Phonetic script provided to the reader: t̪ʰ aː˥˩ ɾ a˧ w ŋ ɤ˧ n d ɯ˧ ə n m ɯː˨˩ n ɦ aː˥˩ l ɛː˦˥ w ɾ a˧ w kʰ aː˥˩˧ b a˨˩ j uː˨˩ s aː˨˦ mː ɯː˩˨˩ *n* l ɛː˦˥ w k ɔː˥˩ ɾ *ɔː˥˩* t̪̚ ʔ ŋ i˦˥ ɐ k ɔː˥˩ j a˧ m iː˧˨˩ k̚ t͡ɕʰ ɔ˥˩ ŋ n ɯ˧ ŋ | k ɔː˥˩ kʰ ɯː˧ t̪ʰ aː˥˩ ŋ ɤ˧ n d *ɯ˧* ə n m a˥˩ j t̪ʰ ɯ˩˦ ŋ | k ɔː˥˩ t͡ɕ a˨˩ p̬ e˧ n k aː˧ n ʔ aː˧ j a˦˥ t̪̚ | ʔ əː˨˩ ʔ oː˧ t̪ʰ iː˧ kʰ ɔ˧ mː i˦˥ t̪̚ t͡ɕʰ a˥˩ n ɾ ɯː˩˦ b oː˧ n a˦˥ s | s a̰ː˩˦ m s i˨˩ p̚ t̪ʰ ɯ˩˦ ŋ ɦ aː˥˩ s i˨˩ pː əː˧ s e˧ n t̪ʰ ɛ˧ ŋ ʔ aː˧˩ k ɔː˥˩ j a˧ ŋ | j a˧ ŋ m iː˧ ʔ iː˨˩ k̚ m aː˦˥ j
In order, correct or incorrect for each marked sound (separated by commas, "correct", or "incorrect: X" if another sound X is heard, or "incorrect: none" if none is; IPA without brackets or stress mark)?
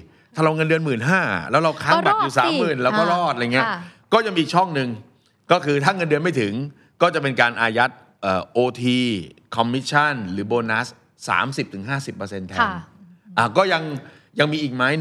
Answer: correct, correct, correct